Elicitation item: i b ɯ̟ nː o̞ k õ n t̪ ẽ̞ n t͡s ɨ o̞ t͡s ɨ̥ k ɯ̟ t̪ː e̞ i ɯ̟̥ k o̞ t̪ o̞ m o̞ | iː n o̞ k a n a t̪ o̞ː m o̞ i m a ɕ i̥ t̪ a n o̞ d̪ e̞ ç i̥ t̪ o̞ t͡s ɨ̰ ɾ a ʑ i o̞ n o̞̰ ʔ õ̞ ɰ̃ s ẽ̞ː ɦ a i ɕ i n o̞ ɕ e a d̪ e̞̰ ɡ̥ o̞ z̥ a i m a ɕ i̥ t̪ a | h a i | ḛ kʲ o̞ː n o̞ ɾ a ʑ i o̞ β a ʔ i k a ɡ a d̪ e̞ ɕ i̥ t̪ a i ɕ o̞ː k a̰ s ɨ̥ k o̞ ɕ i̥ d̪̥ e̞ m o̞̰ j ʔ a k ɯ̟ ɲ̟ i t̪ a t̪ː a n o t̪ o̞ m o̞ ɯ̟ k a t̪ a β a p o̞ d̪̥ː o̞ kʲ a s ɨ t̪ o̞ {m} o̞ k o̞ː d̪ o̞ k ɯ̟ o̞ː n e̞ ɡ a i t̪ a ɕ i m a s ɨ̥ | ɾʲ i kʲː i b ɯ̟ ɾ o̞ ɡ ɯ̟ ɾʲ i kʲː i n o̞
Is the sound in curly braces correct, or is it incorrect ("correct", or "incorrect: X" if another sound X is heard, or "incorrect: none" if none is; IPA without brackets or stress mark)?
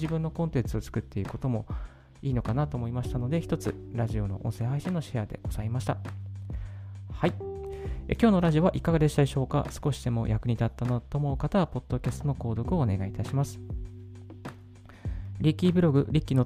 incorrect: n